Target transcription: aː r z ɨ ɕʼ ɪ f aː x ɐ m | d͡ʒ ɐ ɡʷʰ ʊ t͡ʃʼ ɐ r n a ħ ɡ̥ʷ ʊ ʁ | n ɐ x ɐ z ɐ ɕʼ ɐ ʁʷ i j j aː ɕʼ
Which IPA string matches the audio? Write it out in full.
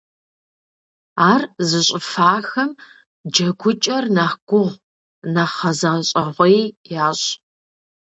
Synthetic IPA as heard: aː r z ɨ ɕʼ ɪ f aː x ɐ m | d͡ʒ ɐ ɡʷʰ ʊ t͡ʃʼ ɐ r n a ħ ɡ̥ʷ ʊ ʁ | n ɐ χ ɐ z ɐ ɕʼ ɐ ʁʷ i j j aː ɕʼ